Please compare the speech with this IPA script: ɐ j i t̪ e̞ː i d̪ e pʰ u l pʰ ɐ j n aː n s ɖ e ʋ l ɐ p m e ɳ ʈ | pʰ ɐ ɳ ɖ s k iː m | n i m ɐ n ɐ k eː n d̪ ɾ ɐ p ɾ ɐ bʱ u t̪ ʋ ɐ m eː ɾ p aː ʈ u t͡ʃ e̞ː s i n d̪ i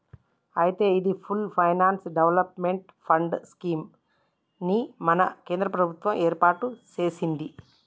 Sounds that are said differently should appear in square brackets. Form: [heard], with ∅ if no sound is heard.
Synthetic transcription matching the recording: ɐ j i t̪ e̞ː i d̪ [i] pʰ u l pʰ ɐ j n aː n s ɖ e ʋ l ɐ p m e ɳ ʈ | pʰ ɐ ɳ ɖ s k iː m | n i m ɐ n ɐ k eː n d̪ ɾ ɐ p ɾ ɐ bʱ u t̪ ʋ ɐ m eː ɾ p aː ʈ u t͡ʃ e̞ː s i n d̪ i